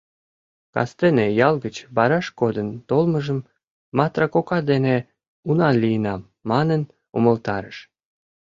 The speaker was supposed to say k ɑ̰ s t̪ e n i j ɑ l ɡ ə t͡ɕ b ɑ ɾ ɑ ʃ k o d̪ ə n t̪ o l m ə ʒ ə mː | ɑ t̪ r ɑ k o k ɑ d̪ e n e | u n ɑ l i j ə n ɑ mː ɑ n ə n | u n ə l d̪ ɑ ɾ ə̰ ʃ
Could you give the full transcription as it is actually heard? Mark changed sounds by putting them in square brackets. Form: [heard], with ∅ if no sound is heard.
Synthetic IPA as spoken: k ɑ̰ s t̪ e n [e] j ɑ l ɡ ə t͡ɕ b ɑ ɾ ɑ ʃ k o d̪ ə n t̪ o l m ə ʒ ə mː | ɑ t̪ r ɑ k o k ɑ d̪ e n e | u n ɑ l i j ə n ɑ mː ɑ n ə n | u [m] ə l [t̪] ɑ ɾ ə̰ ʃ